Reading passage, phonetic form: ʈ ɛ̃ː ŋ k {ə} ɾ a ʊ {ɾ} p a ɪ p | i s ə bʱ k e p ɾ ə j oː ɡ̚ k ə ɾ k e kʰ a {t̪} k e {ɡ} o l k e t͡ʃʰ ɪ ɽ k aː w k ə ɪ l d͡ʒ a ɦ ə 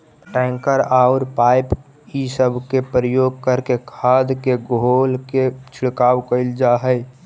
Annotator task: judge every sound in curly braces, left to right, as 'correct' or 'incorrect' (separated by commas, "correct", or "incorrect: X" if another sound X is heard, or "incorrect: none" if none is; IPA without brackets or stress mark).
correct, correct, incorrect: d̪, correct